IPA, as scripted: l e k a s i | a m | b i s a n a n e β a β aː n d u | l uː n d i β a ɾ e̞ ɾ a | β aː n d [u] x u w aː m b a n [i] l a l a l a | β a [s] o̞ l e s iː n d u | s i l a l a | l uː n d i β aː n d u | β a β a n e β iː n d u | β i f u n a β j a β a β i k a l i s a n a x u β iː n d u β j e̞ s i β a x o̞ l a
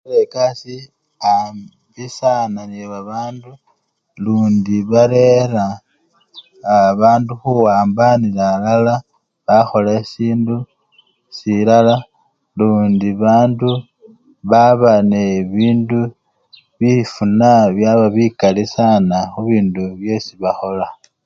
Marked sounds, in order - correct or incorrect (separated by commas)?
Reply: correct, correct, incorrect